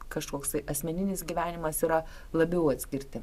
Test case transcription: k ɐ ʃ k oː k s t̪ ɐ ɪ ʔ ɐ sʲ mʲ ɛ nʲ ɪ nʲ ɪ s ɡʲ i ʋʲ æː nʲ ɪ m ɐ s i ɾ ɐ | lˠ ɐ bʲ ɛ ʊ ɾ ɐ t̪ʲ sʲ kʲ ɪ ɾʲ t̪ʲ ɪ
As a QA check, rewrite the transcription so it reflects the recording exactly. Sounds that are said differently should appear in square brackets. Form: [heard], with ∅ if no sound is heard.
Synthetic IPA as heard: k ɐ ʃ k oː k s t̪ ɐ ɪ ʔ ɐ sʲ mʲ ɛ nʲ ɪ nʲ ɪ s ɡʲ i ʋʲ æː nʲ ɪ m ɐ s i ɾ ɐ | lˠ ɐ bʲ ɛ ʊ [∅] ɐ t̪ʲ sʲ kʲ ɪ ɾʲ t̪ʲ ɪ